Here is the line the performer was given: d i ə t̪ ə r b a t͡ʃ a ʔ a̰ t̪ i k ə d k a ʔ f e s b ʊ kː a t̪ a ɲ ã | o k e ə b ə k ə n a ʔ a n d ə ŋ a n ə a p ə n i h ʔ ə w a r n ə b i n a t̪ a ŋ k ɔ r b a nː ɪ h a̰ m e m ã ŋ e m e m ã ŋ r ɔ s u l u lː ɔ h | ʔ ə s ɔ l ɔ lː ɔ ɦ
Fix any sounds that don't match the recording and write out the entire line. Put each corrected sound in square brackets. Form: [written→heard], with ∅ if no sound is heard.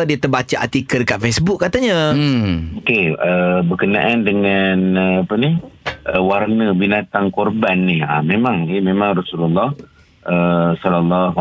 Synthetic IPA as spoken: d i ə t̪ ə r b a t͡ʃ a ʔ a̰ t̪ i k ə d k a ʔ f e s b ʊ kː a t̪ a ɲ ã | o k e ə b ə k ə n a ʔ a n d ə ŋ a n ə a p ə n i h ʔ ə w a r n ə b i n a t̪ a ŋ k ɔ r b a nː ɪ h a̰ m e m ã ŋ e m e m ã ŋ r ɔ s u l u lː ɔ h | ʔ ə s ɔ l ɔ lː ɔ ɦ